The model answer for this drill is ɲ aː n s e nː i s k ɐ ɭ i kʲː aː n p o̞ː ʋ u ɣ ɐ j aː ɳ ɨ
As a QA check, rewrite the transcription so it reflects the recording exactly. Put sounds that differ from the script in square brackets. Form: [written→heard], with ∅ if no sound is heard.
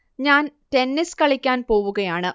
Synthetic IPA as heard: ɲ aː n [s→t] e nː i s k ɐ ɭ i kʲː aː n p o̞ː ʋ u ɣ ɐ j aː ɳ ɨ